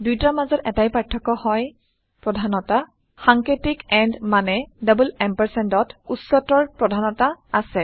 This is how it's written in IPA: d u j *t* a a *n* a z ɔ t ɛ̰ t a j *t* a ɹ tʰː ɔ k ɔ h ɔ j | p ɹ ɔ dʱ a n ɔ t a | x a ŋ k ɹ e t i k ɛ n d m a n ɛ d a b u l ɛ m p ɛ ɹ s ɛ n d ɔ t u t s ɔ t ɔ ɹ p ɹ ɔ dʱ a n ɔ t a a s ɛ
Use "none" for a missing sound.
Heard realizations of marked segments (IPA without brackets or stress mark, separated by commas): t, m, p